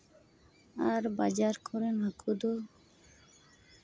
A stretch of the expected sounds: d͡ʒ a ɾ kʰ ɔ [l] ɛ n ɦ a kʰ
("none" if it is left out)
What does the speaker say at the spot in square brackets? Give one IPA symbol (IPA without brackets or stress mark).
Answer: ɾ